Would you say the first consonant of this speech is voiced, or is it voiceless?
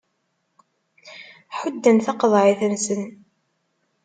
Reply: voiceless